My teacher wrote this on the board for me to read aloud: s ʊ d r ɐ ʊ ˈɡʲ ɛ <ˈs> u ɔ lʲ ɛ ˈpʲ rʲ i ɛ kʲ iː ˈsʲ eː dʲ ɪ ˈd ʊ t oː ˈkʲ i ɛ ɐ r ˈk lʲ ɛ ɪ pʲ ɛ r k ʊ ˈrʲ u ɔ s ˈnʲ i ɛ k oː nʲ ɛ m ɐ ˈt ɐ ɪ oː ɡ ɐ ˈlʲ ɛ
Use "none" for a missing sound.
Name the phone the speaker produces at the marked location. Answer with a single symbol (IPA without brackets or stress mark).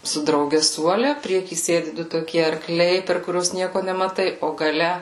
s